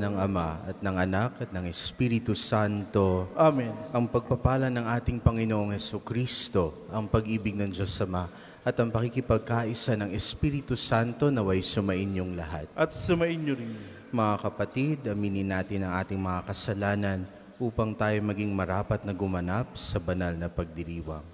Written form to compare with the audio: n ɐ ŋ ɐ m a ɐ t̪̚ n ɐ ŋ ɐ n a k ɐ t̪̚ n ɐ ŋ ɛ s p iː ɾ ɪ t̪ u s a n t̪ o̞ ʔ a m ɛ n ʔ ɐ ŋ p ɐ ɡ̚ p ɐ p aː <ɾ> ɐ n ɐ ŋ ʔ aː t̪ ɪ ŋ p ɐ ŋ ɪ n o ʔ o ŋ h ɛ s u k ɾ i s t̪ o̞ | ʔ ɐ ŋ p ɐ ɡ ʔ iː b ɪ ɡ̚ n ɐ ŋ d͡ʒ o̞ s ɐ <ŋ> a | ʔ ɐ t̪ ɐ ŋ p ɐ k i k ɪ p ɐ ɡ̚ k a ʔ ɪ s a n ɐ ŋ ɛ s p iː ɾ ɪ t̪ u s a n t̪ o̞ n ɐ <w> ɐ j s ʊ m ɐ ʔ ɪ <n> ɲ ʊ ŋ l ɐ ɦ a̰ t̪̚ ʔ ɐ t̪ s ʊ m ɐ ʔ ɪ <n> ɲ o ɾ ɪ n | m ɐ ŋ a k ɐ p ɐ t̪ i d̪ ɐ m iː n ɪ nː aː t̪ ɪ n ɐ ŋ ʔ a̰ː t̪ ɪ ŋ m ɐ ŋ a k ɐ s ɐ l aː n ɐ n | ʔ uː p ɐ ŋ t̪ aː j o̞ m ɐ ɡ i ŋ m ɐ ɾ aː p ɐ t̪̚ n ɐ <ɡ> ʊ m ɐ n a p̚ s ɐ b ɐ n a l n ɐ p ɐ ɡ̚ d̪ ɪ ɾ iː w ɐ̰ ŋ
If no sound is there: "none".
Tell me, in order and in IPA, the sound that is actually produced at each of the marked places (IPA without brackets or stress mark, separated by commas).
l, m, w, n, n, ɡ